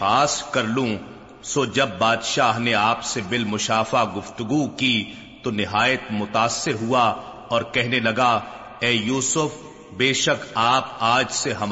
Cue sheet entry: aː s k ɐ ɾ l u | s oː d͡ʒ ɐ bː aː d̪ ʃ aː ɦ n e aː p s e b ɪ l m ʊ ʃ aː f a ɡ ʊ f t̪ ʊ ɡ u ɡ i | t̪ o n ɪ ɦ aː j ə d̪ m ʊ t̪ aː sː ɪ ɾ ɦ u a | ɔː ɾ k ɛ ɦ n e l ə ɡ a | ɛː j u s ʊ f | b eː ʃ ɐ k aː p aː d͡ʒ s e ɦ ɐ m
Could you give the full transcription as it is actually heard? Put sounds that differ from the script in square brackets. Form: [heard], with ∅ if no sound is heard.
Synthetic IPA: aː s k ɐ ɾ l [ũ] | s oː d͡ʒ ɐ bː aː d̪ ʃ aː ɦ n e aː p s e b ɪ l m ʊ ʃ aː f a ɡ ʊ f t̪ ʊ ɡ u [k] i | t̪ o n ɪ ɦ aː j ə [t̪] m ʊ t̪ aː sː ɪ ɾ ɦ u a | ɔː ɾ k ɛ ɦ n e l [ɐ] ɡ a | ɛː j [uː] s ʊ f | b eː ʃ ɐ k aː p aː d͡ʒ s e ɦ ɐ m